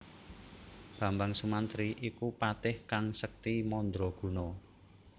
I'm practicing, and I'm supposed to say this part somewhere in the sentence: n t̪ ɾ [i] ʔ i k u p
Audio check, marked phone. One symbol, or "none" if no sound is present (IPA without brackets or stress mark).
i